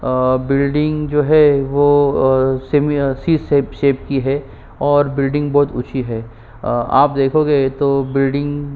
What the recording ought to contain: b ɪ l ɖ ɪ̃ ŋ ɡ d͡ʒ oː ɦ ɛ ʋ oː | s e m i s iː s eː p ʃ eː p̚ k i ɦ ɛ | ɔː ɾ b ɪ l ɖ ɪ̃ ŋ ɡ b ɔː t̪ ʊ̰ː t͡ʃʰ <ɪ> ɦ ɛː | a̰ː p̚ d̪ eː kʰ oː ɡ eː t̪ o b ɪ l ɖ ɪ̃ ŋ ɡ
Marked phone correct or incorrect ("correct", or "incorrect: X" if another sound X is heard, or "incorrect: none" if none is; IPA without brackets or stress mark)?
incorrect: i